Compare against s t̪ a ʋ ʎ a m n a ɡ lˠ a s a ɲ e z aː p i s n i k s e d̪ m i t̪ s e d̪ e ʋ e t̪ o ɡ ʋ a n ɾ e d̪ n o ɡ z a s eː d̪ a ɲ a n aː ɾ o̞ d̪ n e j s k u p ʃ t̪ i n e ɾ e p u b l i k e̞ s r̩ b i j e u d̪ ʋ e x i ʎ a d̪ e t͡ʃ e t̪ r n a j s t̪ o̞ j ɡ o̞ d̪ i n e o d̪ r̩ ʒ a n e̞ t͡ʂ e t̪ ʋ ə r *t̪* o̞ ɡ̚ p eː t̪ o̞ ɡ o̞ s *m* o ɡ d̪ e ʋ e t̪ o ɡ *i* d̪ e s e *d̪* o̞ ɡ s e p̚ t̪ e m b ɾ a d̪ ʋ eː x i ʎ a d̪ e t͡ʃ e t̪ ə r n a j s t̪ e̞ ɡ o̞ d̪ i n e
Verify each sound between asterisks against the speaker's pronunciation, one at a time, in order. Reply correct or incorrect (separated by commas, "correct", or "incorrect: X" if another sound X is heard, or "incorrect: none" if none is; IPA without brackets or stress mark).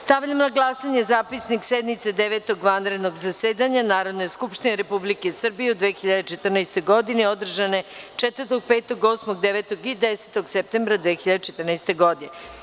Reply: correct, correct, correct, incorrect: t̪